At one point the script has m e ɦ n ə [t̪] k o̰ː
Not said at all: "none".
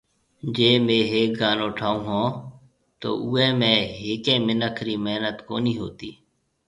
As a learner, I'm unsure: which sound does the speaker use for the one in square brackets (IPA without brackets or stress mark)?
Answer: t̪